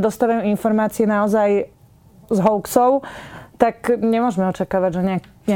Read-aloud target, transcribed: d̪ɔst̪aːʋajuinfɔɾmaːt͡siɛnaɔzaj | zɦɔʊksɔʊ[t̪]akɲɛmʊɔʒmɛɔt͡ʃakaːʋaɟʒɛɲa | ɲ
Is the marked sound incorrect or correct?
correct